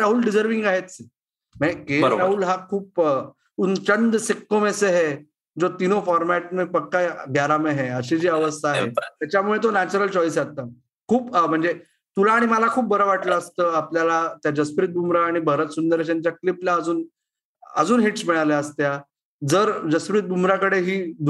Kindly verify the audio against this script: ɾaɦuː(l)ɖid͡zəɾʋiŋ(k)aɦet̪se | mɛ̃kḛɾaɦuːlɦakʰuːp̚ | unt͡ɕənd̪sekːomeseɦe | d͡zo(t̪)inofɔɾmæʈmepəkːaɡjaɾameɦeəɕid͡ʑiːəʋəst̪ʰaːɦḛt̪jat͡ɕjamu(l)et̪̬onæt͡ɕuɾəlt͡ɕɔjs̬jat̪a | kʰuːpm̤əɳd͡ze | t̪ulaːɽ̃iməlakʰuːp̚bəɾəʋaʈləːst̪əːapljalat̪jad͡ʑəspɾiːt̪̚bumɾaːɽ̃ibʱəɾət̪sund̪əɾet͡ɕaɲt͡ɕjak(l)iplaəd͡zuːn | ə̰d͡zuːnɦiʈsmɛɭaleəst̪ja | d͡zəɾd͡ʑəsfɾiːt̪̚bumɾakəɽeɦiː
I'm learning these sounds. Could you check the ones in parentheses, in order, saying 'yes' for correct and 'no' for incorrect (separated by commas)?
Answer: yes, no, yes, no, yes